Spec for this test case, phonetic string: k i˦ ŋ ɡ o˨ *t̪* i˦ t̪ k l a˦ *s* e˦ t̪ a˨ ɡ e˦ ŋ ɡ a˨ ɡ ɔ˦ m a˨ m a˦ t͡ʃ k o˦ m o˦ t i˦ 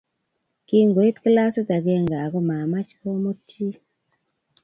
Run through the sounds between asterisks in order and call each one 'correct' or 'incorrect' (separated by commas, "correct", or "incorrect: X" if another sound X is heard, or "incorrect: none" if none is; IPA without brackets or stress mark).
incorrect: none, correct